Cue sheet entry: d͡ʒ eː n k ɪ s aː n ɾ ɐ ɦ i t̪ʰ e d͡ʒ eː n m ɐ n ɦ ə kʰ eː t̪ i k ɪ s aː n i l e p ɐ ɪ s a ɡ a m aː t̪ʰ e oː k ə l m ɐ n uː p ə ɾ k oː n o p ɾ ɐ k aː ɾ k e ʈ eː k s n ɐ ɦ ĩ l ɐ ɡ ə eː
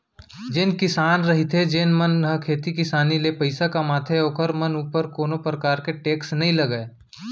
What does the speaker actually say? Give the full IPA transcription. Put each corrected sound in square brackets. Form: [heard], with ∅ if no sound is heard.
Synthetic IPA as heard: d͡ʒ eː n k ɪ s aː n ɾ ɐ ɦ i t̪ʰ e d͡ʒ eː n m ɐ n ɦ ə kʰ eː t̪ i k ɪ s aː n i l e p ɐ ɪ s a [k] a m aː t̪ʰ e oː k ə [ɾ] m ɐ n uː p ə ɾ k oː n o p ɾ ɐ k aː ɾ k e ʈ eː k s n ɐ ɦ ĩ l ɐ ɡ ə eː